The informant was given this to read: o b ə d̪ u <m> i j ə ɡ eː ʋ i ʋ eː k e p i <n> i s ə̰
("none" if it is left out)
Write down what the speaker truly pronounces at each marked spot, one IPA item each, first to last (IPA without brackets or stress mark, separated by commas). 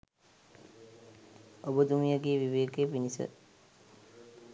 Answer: m, n